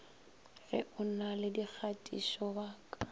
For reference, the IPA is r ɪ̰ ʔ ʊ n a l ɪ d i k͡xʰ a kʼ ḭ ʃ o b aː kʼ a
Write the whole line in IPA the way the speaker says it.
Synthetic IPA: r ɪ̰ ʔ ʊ n a l ɪ d i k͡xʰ a tʼ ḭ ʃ ɔ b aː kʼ a